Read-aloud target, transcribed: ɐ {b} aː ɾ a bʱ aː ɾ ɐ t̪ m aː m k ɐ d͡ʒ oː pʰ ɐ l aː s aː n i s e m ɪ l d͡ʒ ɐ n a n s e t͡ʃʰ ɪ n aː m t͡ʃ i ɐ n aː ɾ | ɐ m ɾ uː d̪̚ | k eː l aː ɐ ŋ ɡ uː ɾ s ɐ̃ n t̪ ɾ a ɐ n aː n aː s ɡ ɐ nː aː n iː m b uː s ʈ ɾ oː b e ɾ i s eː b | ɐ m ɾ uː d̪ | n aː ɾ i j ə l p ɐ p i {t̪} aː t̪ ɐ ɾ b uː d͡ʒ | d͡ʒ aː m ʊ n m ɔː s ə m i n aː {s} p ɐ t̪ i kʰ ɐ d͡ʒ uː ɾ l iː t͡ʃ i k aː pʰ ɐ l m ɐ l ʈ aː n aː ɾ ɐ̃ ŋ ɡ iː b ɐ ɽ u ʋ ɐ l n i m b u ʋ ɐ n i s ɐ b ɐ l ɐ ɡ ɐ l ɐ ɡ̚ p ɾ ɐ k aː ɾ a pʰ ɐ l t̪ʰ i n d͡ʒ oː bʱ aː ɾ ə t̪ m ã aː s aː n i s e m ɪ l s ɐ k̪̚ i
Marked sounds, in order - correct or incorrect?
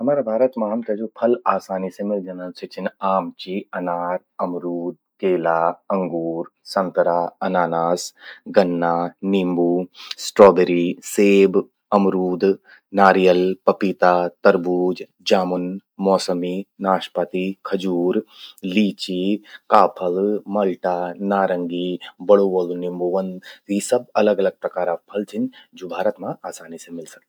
incorrect, correct, incorrect

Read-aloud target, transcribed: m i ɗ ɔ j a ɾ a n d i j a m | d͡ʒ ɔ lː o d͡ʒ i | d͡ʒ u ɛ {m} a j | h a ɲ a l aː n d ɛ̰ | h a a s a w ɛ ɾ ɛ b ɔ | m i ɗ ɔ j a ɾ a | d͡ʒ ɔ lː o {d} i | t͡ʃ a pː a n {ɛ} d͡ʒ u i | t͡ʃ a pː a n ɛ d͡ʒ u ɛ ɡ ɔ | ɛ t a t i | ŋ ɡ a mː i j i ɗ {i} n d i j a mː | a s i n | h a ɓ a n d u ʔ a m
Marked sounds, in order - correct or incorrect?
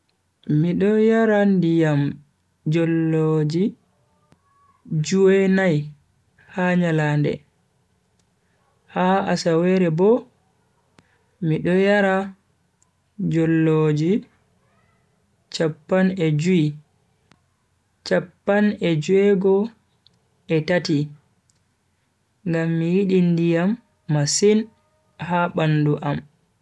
incorrect, incorrect, correct, correct

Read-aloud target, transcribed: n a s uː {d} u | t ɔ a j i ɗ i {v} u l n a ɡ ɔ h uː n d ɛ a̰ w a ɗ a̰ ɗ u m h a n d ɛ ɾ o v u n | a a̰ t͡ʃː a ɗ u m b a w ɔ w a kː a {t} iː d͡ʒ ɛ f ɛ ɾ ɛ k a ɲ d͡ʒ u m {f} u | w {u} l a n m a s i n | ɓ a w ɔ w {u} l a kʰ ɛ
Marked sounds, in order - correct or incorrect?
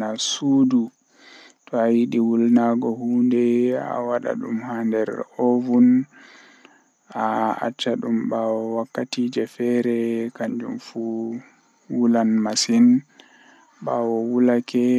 correct, incorrect, correct, correct, correct, correct

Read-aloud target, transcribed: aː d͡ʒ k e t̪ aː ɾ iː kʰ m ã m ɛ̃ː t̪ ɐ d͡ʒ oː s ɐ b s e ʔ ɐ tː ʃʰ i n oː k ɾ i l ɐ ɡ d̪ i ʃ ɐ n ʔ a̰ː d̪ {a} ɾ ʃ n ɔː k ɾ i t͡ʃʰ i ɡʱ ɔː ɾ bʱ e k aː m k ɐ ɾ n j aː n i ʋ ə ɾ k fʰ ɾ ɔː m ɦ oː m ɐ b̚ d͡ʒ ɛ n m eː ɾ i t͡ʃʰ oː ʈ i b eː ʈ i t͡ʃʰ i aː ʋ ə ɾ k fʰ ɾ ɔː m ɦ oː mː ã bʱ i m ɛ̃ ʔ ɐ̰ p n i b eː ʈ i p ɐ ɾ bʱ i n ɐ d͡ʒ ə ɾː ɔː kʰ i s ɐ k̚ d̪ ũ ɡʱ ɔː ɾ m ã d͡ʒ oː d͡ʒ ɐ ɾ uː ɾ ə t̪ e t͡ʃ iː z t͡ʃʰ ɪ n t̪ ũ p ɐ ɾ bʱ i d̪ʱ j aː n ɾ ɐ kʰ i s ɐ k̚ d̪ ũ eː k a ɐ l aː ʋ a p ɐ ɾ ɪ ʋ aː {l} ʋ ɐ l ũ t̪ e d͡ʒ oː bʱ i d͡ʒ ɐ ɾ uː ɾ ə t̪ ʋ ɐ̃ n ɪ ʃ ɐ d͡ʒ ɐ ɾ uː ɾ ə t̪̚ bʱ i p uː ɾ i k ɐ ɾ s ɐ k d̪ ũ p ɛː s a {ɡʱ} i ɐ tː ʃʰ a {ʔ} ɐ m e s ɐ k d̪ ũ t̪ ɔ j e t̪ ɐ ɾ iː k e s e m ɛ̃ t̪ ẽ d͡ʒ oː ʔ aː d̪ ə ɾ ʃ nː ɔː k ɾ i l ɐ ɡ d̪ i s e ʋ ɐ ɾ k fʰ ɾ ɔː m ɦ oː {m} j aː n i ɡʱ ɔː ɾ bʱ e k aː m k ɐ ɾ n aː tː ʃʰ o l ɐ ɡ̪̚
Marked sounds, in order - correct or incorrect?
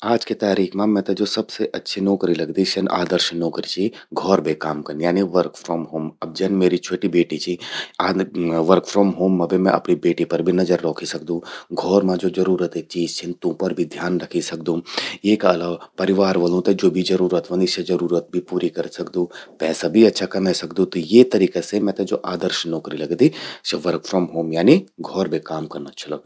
incorrect, incorrect, incorrect, incorrect, correct

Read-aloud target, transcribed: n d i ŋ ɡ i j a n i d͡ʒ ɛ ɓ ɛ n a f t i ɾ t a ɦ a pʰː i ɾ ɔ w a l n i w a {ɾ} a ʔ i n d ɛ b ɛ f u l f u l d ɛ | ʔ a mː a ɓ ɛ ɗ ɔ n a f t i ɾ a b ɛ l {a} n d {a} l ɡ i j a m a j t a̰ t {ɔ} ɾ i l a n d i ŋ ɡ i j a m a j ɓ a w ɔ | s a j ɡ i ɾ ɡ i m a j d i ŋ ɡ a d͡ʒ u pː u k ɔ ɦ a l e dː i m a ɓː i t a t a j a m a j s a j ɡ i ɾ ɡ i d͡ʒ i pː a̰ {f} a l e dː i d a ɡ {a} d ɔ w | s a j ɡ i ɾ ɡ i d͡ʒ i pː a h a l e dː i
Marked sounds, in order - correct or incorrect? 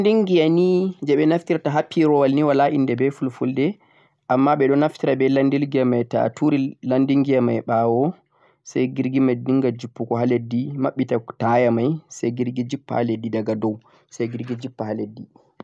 incorrect, correct, incorrect, incorrect, incorrect, correct

